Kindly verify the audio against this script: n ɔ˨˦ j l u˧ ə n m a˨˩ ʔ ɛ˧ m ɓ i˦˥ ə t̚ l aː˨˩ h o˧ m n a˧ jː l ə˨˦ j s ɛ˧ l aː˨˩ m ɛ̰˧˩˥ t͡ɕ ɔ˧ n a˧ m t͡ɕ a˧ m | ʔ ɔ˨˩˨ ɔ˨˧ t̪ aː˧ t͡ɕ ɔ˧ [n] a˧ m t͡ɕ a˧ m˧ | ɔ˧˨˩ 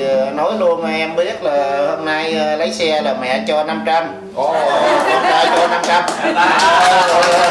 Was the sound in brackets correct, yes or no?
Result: yes